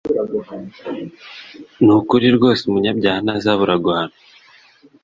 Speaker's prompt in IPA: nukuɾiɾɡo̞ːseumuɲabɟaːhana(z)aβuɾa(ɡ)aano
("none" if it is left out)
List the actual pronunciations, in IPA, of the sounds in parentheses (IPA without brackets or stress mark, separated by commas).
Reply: z, ɡ